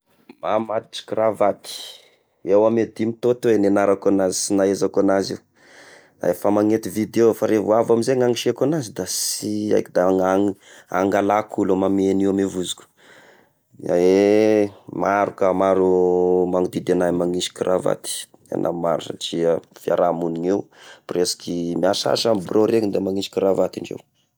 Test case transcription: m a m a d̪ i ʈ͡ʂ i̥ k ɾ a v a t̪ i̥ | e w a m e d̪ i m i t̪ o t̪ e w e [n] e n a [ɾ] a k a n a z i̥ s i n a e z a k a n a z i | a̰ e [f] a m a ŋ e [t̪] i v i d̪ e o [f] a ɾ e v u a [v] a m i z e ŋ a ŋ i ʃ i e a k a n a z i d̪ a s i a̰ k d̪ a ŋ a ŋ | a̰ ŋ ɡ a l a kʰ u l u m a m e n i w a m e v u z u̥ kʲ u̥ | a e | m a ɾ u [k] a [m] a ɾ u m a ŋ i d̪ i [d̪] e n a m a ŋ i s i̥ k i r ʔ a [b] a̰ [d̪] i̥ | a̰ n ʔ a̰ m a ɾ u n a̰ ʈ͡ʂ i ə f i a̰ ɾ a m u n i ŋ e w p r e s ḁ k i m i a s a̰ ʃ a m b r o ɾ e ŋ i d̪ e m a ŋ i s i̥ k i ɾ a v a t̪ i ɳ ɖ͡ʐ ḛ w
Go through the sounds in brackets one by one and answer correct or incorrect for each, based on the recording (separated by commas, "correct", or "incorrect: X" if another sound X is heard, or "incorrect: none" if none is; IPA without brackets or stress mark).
correct, correct, correct, correct, correct, correct, correct, correct, correct, incorrect: v, incorrect: t̪